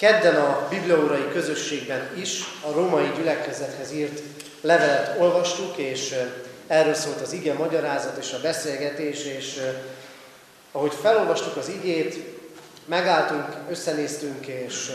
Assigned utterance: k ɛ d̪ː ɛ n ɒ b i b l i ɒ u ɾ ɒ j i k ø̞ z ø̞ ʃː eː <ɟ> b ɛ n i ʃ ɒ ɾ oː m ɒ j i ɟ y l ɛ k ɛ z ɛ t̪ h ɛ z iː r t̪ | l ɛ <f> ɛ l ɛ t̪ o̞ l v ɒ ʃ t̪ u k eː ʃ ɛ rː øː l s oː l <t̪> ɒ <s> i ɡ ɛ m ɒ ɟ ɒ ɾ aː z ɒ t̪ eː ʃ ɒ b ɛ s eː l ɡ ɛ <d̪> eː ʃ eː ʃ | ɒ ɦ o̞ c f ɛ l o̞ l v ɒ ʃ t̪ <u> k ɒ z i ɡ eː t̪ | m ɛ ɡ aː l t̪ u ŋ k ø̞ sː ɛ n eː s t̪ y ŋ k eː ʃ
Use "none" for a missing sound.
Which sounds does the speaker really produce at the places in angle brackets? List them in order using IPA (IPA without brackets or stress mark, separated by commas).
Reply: ɡ, v, t̪, z, t̪, u